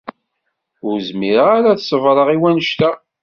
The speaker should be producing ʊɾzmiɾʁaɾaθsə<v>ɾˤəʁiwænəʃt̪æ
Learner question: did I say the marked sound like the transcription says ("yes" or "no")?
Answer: yes